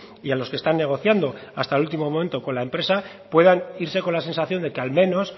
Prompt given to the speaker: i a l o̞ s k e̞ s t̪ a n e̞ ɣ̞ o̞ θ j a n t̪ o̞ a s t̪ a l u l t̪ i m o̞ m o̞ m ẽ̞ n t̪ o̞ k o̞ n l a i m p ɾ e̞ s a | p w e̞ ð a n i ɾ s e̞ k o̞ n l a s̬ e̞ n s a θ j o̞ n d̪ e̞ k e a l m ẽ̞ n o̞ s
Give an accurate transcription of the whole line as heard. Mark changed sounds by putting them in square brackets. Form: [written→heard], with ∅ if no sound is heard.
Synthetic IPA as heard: i a l o̞ s k e̞ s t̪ a [n→nː] e̞ ɣ̞ o̞ θ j a n [t̪→d̪] o̞ a s t̪ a l u l t̪ i m o̞ m o̞ m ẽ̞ n t̪ o̞ k o̞ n l a [i→e] m p ɾ e̞ s a | p w e̞ ð a n i ɾ s e̞ k o̞ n l a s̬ e̞ n s a θ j o̞ n d̪ e̞ k e a l m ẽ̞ n o̞ s

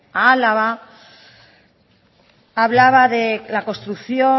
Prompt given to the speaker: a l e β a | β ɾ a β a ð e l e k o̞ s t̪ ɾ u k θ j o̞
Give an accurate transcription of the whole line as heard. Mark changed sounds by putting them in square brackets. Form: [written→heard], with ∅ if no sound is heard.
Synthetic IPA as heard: a l [e→a] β a | β [ɾ→l] a β a ð e l [e→a] k o̞ s t̪ ɾ u k θ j o̞

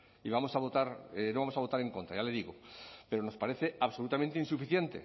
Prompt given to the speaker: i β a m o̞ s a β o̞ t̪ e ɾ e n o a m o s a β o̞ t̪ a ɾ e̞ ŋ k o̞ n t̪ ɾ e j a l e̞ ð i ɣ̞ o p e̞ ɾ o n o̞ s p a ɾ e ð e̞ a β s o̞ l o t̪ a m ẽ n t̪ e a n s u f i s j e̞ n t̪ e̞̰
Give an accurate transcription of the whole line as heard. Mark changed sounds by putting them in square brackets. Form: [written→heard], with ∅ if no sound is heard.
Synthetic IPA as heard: i β a m o̞ s a β o̞ t̪ [e→a] ɾ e n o a m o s a β o̞ t̪ a ɾ e̞ ŋ k o̞ n t̪ ɾ [e→a] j a l e̞ ð i ɣ̞ o p e̞ ɾ o n o̞ s p a ɾ e [ð→θ] e̞ a β s o̞ l [o→u] t̪ a m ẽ n t̪ e [a→i] n s u f i [s→θ] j e̞ n t̪ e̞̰

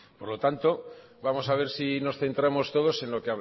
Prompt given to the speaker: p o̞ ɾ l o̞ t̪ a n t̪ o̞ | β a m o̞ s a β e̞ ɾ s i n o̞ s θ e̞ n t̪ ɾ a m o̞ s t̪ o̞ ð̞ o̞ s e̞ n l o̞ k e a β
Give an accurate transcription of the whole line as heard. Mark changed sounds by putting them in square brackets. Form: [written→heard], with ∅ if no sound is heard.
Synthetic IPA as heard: p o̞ ɾ l o̞ t̪ a n t̪ o̞ | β a m o̞ s a β e̞ ɾ s i n o̞ s θ e̞ n t̪ ɾ a m o̞ s t̪ o̞ ð̞ o̞ s e̞ n l o̞ k e a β

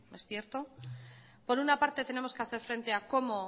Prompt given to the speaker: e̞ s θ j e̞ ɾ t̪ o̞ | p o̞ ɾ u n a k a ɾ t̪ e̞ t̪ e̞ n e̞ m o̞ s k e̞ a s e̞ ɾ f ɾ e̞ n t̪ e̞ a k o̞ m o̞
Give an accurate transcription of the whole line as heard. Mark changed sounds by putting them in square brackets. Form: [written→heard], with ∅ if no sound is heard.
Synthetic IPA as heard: e̞ s θ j e̞ ɾ t̪ o̞ | p o̞ ɾ u n a [k→p] a ɾ t̪ e̞ t̪ e̞ n e̞ m o̞ s k e̞ a [s→θ] e̞ ɾ f ɾ e̞ n t̪ e̞ a k o̞ m o̞

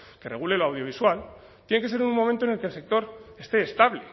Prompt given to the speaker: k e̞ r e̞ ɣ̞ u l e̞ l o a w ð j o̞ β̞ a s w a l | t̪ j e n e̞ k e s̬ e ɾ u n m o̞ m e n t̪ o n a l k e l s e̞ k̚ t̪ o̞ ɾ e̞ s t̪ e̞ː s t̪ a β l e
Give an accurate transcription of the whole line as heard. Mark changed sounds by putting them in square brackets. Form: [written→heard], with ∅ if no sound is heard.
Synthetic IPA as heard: k e̞ r e̞ ɣ̞ u l e̞ l o a w ð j o̞ β̞ [a→i] s w a l | t̪ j e n e̞ k e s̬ e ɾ u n m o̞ m e n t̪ o n [a→e] l k e l s e̞ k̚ t̪ o̞ ɾ e̞ s t̪ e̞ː s t̪ a β l e

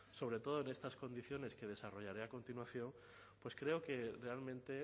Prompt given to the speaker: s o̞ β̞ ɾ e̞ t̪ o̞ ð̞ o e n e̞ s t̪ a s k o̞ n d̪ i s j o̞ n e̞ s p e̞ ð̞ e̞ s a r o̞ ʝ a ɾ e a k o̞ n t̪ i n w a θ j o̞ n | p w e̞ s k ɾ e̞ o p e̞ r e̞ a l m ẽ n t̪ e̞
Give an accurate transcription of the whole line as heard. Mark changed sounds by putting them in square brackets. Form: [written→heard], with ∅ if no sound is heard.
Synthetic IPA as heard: s o̞ β̞ ɾ e̞ t̪ o̞ ð̞ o e n e̞ s t̪ a s k o̞ n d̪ i [s→θ] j o̞ n e̞ s [p→k] e̞ ð̞ e̞ s a r o̞ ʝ a ɾ e a k o̞ n t̪ i n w a θ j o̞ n | p w e̞ s k ɾ e̞ o [p→k] e̞ r e̞ a l m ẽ n t̪ e̞

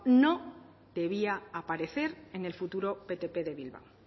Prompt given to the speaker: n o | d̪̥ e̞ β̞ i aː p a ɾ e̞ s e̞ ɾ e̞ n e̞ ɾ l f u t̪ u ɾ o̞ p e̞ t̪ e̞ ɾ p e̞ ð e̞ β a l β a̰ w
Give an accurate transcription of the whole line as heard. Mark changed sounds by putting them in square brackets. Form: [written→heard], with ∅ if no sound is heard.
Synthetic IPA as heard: n o | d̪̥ e̞ β̞ i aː p a ɾ e̞ [s→θ] e̞ ɾ e̞ n e̞ [ɾ→∅] l f u t̪ u ɾ o̞ p e̞ t̪ e̞ [ɾ→∅] p e̞ ð e̞ β [a→i] l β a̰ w

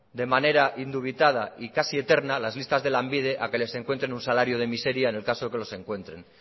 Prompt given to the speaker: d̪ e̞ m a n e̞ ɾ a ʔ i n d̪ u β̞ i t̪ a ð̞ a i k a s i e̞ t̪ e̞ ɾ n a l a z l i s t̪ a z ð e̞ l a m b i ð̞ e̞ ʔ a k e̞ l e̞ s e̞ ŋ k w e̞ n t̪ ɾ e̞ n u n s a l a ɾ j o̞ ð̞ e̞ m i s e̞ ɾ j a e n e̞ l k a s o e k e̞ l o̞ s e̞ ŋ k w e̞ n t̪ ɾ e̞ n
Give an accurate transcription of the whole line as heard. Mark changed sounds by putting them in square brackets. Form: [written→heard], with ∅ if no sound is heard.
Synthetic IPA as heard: d̪ e̞ m a n e̞ ɾ a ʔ i n d̪ u β̞ i t̪ a ð̞ a i k a s i e̞ t̪ e̞ ɾ n a l a z l i s t̪ a z ð e̞ l a m b i ð̞ e̞ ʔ a k e̞ l e̞ s e̞ ŋ k w e̞ n t̪ ɾ e̞ n u n s a l a ɾ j o̞ ð̞ e̞ m i s e̞ ɾ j a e n e̞ l k a s o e k e̞ l o̞ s e̞ ŋ k w e̞ n t̪ ɾ e̞ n

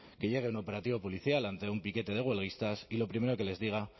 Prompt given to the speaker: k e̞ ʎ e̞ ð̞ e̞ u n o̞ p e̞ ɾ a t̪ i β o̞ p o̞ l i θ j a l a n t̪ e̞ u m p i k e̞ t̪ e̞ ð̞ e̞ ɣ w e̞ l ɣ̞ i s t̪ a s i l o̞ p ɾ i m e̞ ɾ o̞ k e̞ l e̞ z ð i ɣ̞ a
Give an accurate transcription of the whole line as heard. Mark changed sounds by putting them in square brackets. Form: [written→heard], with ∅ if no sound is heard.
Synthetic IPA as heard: k e̞ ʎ e̞ [ð̞→ɣ̞] e̞ u n o̞ p e̞ ɾ a t̪ i β o̞ p o̞ l i θ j a l a n t̪ e̞ u m p i k e̞ t̪ e̞ ð̞ e̞ ɣ w e̞ l ɣ̞ i s t̪ a s i l o̞ p ɾ i m e̞ ɾ o̞ k e̞ l e̞ z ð i ɣ̞ a

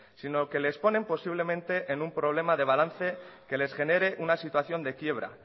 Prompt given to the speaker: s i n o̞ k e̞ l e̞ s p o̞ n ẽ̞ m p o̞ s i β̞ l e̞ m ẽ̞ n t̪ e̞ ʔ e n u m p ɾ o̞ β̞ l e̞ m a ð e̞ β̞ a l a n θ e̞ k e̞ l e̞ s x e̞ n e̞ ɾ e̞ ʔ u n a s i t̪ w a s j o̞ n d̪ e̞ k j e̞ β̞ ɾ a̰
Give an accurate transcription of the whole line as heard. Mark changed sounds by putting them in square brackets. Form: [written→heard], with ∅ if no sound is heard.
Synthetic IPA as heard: s i n o̞ k e̞ l e̞ s p o̞ n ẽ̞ m p o̞ s i β̞ l e̞ m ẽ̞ n t̪ e̞ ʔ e n u m p ɾ o̞ β̞ l e̞ m a ð e̞ β̞ a l a n θ e̞ k e̞ l e̞ s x e̞ n e̞ ɾ e̞ ʔ u n a s i t̪ w a [s→θ] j o̞ n d̪ e̞ k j e̞ β̞ ɾ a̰

